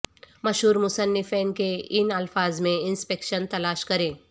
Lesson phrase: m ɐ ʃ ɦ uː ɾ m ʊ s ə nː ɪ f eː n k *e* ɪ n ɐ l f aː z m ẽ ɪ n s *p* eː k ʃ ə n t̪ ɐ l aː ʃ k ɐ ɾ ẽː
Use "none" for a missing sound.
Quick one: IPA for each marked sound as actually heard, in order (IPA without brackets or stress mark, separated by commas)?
e, p